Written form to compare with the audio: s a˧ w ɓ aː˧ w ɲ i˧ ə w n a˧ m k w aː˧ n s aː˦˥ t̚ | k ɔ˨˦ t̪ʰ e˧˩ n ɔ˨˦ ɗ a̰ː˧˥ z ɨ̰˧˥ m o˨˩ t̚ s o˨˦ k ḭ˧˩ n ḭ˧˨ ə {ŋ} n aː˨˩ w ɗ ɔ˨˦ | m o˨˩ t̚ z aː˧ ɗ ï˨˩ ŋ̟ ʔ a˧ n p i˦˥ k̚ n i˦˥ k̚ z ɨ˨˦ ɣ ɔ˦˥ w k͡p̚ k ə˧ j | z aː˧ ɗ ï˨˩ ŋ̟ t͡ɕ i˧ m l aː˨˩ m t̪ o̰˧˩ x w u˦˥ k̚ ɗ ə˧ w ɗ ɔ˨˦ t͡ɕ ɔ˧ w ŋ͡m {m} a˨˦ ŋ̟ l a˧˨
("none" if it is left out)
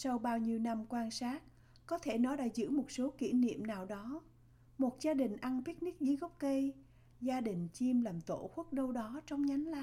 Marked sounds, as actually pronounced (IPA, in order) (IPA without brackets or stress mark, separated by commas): m, ɲ